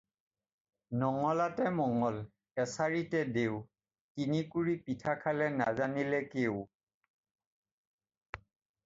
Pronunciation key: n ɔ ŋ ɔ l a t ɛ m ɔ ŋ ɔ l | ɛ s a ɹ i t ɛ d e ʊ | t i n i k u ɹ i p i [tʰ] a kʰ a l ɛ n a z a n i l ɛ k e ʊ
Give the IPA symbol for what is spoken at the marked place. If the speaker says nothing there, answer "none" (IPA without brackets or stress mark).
tʰ